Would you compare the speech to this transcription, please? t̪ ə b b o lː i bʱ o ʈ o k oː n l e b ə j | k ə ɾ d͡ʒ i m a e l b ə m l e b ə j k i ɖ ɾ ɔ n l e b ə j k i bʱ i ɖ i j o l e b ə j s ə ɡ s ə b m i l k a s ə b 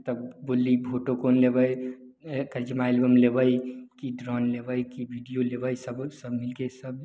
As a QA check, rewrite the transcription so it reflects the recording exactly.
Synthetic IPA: t̪ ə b b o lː i bʱ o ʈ o k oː n l e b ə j | k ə ɾ d͡ʒ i m a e l b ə m l e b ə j k i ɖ ɾ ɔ n l e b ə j k i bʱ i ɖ i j o l e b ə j s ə b s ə b m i l k e s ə b